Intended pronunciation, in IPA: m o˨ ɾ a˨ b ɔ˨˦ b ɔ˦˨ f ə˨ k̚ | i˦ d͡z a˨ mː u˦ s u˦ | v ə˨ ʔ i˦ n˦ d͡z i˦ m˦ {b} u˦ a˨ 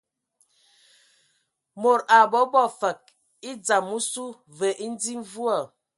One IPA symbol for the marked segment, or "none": v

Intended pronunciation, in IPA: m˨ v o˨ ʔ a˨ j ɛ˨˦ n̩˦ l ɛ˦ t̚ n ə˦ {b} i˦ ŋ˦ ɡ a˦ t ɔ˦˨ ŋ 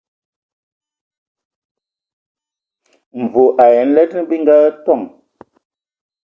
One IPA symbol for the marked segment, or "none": b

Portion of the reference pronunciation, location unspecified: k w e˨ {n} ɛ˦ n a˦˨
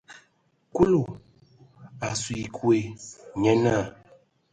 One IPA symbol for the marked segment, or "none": ɲ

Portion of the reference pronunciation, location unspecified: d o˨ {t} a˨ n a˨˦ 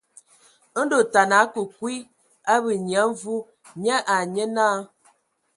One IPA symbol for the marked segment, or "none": t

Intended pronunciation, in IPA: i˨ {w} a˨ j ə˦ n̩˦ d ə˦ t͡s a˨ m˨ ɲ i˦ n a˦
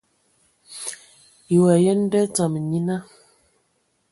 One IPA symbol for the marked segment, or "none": w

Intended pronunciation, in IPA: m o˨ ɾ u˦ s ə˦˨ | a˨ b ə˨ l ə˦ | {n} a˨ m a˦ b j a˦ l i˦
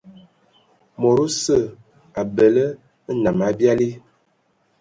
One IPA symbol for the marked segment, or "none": n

